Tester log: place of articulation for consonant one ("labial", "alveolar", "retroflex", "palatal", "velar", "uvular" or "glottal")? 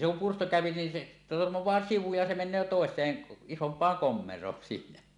alveolar